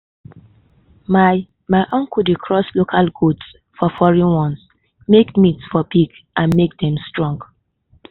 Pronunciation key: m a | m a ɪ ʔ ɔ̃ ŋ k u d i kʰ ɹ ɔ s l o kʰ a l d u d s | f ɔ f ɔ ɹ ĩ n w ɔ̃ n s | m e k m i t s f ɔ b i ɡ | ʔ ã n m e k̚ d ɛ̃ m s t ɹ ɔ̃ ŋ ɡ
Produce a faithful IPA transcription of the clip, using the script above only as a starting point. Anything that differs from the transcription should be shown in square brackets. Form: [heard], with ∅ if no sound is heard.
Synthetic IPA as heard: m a | m a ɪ ʔ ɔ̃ ŋ k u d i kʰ ɹ ɔ s l o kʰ a l [ɡ] u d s | f ɔ f ɔ ɹ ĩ n w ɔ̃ n s | m e k m i t s f ɔ b i ɡ | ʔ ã n m e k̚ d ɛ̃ m s t ɹ ɔ̃ ŋ ɡ